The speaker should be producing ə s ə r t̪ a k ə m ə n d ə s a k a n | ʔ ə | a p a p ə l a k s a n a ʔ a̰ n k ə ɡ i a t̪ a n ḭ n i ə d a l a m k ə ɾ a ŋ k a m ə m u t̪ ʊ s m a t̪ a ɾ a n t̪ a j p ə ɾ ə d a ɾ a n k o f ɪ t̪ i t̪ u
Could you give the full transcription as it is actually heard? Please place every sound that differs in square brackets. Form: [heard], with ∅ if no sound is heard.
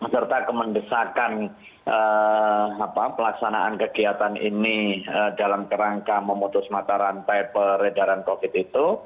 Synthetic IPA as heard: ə s ə r t̪ a k ə m ə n d ə s a k a n | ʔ ə | a p a p ə l a k s a n a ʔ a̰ n k ə ɡ i a t̪ a n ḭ n i ə d a l a m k ə ɾ a ŋ k a m ə m u t̪ ʊ s m a t̪ a ɾ a n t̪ a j p ə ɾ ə d a ɾ a n k o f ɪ t̪ i t̪ u